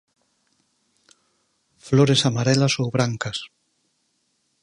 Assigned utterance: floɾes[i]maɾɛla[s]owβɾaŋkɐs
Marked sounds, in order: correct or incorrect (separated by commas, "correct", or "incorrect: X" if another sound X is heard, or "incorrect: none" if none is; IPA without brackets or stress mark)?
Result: incorrect: a, correct